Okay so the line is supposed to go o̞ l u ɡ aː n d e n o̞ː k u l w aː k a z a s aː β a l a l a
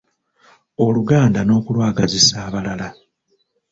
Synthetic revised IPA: o̞ l u ɡ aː n d a n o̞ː k u l w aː ɡ a z i s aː β a l a l a